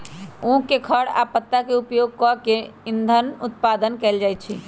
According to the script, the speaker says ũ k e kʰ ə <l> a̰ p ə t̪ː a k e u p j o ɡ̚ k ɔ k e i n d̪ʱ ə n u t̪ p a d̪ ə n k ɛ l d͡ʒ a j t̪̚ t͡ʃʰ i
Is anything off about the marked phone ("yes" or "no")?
yes